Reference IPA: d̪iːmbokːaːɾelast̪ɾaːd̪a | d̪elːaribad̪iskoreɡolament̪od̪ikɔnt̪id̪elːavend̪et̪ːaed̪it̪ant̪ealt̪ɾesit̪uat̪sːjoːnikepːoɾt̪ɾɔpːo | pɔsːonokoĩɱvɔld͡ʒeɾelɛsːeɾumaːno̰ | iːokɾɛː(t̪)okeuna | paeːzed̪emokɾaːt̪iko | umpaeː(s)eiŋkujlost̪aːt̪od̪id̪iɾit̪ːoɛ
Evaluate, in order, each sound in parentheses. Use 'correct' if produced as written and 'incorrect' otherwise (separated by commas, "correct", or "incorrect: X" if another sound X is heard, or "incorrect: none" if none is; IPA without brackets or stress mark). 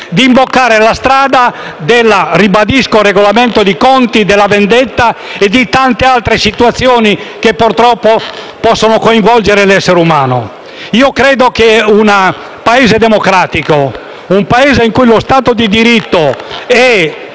incorrect: d̪, incorrect: z